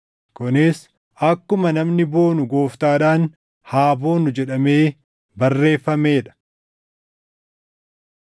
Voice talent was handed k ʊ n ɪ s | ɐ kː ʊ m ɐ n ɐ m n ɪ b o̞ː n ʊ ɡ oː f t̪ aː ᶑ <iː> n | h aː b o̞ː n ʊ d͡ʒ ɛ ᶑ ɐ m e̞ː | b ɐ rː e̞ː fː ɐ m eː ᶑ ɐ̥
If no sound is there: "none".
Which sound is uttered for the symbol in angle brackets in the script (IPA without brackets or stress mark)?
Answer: aː